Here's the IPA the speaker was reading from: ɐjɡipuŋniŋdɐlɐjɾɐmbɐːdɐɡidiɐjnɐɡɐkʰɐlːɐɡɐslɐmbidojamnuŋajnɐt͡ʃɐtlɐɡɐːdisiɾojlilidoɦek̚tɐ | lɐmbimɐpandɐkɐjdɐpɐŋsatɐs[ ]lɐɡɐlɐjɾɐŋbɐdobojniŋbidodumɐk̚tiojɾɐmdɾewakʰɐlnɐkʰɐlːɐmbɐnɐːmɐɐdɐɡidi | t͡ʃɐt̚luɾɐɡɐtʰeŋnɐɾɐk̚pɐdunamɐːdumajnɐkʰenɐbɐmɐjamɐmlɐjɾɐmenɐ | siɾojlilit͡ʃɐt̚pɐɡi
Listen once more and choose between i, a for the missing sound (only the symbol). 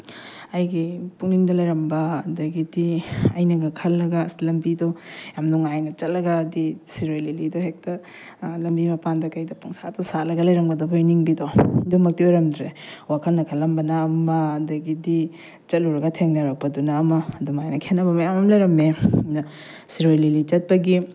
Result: a